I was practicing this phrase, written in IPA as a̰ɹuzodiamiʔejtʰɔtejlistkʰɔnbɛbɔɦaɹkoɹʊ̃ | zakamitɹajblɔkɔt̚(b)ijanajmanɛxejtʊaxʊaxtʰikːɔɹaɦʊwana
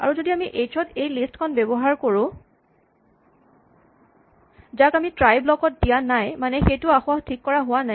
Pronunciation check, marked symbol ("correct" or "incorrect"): incorrect